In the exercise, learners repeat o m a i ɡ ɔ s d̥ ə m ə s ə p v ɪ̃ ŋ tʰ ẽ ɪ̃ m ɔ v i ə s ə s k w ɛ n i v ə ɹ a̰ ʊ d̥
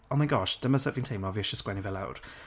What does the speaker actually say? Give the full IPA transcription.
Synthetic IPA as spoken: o m a ɪ ɡ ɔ ʃ d̥ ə m ə s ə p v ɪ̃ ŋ tʰ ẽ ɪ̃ m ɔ v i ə ʃ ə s k w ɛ n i v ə l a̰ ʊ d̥